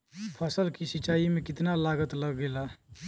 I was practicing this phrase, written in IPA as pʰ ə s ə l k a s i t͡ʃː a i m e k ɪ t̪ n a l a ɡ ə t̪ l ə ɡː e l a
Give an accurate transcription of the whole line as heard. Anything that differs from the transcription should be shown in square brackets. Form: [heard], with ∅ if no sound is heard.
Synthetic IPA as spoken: pʰ ə s ə l k [i] s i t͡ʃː a i m e k ɪ t̪ n a l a ɡ ə t̪ l ə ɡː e l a